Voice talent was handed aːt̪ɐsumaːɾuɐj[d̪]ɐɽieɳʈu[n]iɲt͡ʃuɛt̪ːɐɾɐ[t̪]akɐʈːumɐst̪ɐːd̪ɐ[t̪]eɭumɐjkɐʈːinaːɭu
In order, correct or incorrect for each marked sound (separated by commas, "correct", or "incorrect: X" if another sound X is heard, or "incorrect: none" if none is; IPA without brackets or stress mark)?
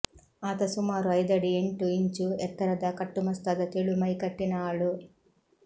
correct, incorrect: none, incorrect: d̪, correct